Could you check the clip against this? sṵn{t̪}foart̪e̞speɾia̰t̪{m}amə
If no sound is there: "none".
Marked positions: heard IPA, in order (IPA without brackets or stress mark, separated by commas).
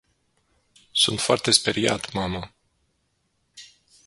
t̪, m